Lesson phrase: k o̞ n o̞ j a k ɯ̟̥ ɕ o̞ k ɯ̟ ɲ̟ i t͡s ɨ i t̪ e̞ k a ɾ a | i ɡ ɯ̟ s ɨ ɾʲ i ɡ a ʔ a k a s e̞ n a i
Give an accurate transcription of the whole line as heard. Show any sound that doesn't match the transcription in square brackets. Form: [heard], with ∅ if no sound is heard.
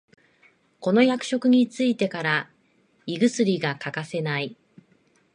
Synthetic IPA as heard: k o̞ n o̞ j a k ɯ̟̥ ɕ o̞ k ɯ̟ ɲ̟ i t͡s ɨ i t̪ e̞ k a ɾ a | i ɡ ɯ̟ s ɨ ɾʲ i ɡ a [k] a k a s e̞ n a i